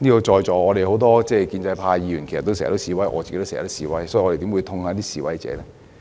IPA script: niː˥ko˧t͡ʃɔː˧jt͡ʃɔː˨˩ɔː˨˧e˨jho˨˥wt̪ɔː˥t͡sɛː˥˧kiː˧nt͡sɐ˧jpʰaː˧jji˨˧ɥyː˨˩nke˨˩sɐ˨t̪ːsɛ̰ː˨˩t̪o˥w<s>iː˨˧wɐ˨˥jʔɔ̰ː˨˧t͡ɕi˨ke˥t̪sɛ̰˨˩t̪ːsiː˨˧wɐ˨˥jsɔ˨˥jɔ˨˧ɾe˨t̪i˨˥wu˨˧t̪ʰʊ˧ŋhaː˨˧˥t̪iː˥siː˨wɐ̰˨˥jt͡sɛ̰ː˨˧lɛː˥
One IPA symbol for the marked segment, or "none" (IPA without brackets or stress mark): s